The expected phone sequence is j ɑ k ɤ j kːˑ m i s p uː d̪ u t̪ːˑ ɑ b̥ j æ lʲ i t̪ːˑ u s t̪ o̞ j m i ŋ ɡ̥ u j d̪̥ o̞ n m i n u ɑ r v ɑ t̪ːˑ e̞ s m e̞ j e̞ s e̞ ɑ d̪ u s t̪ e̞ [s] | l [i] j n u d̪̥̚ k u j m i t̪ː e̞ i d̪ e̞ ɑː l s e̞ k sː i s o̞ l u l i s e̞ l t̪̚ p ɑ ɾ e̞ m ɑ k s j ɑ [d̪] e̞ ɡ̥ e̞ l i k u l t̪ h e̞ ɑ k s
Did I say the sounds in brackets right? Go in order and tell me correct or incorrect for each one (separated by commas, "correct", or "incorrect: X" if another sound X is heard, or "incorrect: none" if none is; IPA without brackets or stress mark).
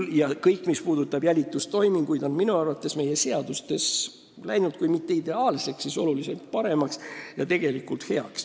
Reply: correct, incorrect: æ, incorrect: t̪